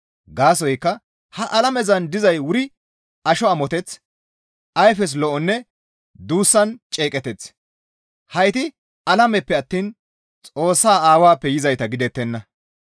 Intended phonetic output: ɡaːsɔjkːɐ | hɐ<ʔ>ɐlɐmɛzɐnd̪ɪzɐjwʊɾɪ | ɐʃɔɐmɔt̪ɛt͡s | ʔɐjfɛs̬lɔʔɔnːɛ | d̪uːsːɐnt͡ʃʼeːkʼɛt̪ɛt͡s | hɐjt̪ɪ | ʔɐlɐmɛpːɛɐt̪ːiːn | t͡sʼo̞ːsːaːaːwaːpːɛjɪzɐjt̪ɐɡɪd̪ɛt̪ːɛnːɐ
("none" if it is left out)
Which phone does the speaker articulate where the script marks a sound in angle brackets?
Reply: ʔ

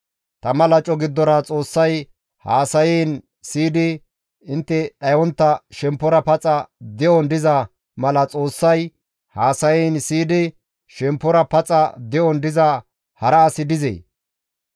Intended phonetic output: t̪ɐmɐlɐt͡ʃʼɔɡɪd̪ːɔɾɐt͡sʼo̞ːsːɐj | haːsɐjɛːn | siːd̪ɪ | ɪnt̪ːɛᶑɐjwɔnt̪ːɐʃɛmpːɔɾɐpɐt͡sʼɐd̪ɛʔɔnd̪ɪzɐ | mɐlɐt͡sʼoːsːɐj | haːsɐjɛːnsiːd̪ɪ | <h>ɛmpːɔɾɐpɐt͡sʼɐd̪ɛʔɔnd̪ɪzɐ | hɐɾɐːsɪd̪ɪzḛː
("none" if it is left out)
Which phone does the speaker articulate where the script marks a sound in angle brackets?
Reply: ʃ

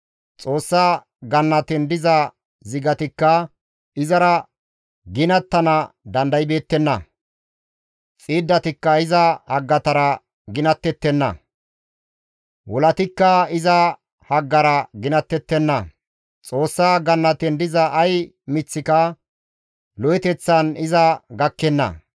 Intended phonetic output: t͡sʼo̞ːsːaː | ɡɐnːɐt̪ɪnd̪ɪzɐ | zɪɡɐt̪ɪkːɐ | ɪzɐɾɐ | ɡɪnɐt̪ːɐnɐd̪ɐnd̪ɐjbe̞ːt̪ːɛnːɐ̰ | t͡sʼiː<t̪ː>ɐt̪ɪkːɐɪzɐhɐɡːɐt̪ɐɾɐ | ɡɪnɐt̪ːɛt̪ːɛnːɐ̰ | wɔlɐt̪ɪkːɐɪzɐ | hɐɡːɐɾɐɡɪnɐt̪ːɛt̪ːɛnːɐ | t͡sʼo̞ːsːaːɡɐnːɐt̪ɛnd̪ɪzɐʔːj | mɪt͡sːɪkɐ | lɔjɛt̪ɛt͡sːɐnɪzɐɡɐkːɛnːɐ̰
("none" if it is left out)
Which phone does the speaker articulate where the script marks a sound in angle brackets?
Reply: d̪ː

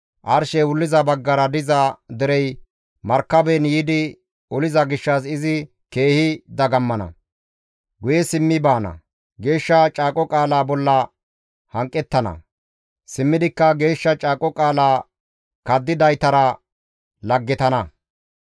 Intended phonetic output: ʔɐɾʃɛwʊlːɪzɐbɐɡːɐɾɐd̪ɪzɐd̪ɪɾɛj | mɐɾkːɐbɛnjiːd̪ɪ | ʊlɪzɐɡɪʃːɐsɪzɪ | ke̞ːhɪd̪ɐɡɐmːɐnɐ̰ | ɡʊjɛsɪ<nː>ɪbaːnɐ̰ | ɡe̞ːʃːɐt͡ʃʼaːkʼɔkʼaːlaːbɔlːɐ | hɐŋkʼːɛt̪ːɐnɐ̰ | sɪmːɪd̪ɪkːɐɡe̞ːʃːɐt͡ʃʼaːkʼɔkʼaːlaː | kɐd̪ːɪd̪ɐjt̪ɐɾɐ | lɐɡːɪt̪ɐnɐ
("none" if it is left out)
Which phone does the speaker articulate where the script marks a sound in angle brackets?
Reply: mː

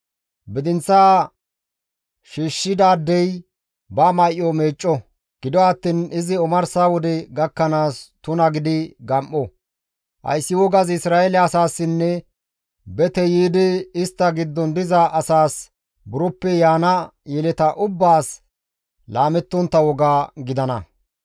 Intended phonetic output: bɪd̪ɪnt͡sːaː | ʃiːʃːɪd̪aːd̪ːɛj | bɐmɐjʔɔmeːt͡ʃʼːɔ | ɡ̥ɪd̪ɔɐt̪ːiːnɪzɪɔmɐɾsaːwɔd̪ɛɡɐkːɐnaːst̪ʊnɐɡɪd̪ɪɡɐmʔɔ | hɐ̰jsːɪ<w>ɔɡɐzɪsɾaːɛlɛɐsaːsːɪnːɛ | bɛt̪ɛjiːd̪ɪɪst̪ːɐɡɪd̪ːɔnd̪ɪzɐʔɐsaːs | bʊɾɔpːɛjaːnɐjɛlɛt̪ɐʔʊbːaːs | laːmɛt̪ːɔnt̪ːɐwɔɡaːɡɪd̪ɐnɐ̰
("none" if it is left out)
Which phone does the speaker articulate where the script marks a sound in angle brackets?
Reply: w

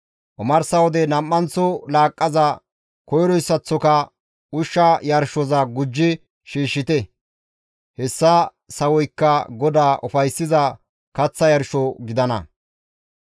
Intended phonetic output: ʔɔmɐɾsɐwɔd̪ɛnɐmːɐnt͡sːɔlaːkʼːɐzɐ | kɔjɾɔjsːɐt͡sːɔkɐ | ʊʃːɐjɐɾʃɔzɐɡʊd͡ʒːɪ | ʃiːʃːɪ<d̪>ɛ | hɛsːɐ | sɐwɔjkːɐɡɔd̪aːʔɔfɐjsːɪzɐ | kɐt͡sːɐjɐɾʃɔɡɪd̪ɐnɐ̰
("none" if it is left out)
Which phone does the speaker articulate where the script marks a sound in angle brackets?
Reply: t̪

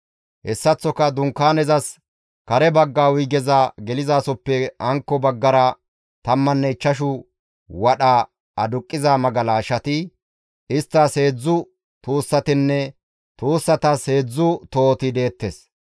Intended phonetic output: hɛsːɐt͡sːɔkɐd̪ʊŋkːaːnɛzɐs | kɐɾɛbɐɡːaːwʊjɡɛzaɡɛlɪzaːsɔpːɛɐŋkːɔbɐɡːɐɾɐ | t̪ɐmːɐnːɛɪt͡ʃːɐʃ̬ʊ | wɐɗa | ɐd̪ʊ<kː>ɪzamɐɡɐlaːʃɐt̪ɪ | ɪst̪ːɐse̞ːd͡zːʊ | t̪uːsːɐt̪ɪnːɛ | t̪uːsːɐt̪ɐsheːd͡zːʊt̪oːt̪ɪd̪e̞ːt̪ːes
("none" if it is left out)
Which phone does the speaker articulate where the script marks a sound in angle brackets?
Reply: kʼː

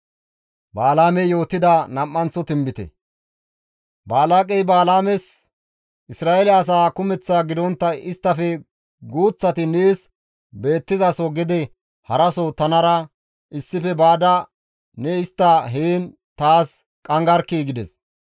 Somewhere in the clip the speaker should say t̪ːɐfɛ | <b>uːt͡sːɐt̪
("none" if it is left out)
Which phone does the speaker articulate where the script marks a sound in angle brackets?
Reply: ɡ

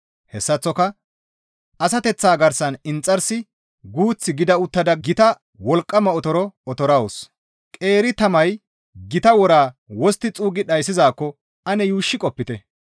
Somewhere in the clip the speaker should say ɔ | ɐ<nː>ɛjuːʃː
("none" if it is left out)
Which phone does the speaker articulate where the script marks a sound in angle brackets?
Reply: n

